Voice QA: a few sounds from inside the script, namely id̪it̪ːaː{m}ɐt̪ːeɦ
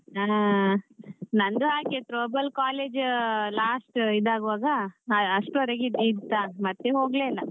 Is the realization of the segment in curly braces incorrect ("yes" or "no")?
no